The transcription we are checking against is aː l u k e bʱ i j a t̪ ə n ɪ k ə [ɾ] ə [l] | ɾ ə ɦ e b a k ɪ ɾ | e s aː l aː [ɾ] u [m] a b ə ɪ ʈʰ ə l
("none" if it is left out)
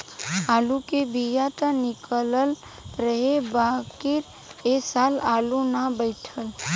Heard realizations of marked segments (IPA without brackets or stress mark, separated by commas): l, l, l, n